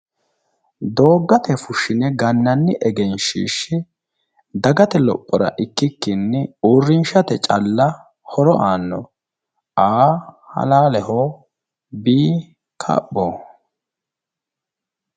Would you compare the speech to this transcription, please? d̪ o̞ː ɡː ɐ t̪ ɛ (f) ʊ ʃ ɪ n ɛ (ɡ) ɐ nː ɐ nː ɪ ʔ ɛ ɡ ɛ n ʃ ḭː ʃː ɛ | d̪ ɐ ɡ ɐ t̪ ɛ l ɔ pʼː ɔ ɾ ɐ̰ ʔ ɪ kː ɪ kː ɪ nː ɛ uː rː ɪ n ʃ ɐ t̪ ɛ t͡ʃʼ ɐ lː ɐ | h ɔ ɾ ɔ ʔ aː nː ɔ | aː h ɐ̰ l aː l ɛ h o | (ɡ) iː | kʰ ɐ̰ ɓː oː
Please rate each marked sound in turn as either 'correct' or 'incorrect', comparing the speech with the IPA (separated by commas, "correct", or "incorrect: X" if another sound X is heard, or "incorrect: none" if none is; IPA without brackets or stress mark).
correct, correct, incorrect: b